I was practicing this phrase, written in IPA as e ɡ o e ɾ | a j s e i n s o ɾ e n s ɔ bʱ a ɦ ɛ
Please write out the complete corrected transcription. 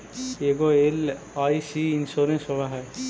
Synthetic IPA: e ɡ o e l | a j s i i n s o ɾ e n s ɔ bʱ a ɦ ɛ